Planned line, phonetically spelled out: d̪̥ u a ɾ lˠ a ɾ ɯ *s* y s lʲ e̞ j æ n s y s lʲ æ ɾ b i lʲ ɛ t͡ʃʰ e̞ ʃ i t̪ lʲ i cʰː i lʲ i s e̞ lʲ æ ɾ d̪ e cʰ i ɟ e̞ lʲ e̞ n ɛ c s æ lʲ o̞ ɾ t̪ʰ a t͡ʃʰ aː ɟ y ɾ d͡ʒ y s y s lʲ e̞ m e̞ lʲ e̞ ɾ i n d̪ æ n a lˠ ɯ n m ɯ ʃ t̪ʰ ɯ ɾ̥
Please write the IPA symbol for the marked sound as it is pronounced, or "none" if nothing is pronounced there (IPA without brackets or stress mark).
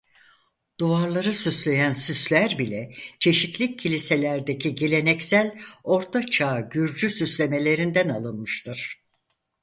s